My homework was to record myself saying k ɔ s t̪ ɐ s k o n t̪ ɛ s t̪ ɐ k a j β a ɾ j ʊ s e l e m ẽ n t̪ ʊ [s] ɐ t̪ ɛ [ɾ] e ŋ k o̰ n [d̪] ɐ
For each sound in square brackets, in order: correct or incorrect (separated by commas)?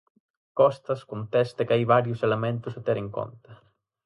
correct, correct, incorrect